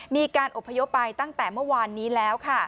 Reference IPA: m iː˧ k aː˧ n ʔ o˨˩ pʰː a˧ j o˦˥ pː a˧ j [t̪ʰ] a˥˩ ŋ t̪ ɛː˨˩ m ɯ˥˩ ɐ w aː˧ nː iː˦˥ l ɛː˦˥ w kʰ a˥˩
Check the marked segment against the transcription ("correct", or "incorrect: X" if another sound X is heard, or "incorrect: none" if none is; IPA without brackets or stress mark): incorrect: t̪